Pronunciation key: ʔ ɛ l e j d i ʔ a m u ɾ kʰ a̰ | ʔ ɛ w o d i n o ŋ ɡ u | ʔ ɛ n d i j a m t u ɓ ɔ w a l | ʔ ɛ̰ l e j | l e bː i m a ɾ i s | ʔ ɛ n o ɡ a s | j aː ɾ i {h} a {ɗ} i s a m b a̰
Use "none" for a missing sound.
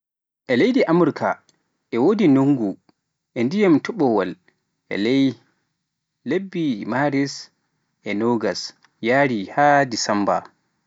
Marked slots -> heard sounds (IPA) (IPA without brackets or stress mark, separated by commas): h, d